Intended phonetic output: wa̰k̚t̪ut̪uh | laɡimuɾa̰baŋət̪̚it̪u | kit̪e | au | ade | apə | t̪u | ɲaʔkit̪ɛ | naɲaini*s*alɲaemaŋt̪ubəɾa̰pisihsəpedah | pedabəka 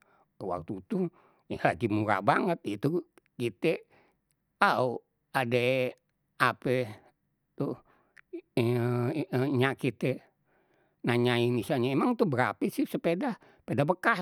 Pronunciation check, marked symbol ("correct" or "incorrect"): correct